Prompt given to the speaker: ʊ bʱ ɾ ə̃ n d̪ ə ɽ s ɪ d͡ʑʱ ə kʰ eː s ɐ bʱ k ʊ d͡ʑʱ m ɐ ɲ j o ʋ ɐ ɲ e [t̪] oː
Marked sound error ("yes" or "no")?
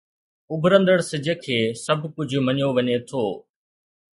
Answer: yes